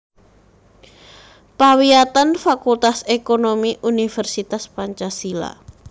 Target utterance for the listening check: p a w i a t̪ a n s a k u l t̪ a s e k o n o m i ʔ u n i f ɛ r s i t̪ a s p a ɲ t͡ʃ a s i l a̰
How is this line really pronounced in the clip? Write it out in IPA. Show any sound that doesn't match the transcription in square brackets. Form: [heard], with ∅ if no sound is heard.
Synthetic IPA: p a w i a t̪ a n [f] a k u l t̪ a s e k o n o m i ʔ u n i f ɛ r s i t̪ a s p a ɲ t͡ʃ a s i l a̰